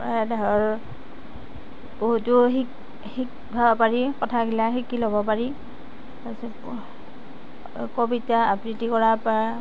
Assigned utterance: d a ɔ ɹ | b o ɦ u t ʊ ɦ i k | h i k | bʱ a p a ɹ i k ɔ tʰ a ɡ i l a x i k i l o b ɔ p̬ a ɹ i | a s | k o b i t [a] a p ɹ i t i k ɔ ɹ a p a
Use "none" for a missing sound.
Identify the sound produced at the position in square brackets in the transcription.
a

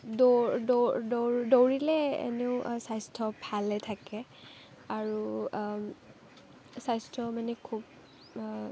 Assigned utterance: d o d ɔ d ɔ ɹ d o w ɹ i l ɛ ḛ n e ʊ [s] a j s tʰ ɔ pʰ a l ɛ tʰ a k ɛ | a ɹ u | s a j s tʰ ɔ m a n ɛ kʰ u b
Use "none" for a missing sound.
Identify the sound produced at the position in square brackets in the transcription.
s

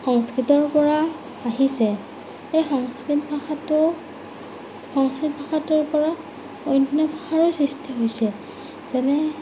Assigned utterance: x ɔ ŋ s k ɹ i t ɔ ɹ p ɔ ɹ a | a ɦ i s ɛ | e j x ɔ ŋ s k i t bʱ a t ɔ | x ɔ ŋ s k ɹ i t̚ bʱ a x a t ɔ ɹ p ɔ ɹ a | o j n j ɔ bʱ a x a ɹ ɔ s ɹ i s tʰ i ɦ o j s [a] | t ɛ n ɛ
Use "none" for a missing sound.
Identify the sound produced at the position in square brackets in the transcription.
ɛ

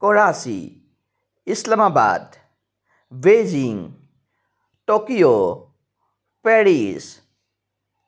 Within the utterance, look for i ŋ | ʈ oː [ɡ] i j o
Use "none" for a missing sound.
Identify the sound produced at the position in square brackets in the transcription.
k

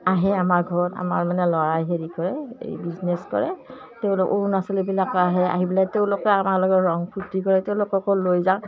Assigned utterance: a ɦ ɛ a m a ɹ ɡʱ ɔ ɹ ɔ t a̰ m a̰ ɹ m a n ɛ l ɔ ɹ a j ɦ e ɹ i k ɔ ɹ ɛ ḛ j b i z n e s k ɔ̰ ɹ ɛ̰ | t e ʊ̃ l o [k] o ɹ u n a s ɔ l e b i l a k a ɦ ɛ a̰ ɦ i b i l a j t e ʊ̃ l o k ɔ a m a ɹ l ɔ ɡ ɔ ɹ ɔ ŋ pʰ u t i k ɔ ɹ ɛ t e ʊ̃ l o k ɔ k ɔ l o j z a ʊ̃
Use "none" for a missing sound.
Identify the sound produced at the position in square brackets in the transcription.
k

